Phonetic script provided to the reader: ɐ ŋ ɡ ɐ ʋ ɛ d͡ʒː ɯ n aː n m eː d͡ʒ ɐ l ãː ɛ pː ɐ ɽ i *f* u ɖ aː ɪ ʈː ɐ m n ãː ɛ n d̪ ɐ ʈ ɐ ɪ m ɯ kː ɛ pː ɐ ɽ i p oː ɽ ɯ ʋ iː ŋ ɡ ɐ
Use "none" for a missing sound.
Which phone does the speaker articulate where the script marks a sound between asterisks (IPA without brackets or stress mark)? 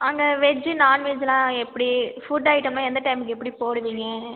f